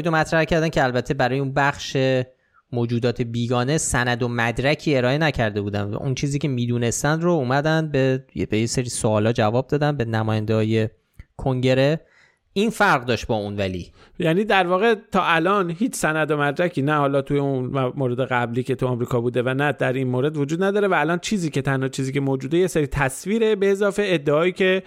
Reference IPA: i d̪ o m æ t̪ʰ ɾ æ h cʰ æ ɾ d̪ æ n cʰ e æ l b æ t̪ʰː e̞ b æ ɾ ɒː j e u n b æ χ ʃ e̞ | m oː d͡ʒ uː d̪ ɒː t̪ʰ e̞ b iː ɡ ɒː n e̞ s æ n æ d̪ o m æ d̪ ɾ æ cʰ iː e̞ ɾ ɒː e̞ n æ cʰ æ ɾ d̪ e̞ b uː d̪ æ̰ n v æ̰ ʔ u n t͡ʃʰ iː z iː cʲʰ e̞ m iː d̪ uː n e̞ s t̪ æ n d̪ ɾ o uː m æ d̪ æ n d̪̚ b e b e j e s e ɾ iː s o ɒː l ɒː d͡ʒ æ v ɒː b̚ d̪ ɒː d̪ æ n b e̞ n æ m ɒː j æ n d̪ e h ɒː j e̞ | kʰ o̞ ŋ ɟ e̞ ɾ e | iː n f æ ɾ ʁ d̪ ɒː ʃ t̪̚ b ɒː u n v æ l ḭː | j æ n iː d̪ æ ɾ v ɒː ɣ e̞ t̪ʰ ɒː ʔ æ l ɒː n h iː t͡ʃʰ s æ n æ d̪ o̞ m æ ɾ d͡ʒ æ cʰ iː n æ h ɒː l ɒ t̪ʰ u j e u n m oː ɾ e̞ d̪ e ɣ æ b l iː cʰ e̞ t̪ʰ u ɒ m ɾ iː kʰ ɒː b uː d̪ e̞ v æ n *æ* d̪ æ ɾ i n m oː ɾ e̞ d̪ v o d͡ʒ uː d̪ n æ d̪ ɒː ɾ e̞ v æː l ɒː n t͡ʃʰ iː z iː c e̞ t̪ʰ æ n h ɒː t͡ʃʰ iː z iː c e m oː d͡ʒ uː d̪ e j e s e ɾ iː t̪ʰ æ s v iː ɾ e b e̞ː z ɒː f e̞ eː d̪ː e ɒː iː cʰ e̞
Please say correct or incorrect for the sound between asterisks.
correct